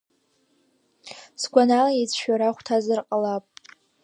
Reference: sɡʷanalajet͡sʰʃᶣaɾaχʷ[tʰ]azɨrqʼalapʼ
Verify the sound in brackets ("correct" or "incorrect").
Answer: correct